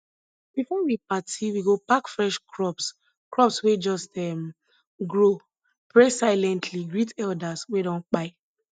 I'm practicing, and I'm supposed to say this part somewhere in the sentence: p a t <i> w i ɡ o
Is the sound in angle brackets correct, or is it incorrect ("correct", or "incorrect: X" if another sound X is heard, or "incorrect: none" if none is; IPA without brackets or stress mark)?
correct